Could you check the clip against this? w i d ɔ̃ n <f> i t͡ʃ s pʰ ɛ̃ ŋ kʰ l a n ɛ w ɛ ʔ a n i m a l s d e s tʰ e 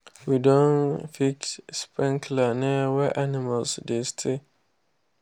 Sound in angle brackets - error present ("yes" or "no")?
no